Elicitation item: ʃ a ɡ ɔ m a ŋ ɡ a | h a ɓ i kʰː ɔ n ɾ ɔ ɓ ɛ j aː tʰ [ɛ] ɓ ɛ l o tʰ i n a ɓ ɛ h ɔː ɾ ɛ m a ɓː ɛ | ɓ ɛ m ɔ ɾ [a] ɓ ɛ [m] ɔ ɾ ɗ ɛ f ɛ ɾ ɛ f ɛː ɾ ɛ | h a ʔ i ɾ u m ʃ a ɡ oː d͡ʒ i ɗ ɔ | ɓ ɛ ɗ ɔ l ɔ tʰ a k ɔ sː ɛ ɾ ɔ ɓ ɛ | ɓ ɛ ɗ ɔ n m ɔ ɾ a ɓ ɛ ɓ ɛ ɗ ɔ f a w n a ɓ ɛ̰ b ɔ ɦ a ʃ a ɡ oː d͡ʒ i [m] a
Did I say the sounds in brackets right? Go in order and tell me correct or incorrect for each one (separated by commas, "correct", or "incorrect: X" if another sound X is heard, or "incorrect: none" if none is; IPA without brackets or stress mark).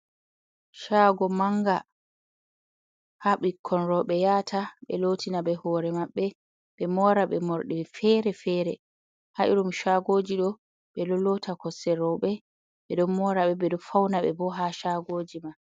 incorrect: a, correct, correct, correct